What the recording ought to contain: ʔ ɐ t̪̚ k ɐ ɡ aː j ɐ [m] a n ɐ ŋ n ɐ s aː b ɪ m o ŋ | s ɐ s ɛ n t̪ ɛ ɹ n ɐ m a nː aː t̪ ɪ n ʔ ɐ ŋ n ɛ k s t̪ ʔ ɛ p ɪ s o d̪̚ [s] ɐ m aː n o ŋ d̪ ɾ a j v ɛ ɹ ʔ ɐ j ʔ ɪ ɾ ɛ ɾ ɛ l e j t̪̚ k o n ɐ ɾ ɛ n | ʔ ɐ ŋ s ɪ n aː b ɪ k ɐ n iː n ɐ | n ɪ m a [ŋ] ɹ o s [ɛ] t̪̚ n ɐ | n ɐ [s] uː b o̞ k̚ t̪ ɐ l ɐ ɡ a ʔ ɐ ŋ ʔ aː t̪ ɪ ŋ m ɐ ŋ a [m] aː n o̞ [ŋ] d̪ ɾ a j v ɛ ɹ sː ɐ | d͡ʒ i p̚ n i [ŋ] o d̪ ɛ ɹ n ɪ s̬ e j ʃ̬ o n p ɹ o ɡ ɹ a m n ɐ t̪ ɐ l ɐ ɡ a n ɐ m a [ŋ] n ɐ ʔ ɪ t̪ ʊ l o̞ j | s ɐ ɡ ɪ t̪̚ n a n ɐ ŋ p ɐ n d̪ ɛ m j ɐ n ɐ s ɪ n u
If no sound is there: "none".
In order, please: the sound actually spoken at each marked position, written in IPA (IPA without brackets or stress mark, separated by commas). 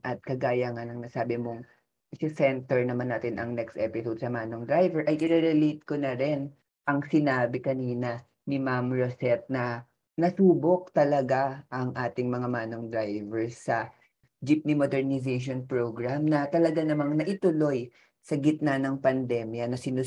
ŋ, s, m, ɛ, s, m, ŋ, m, ŋ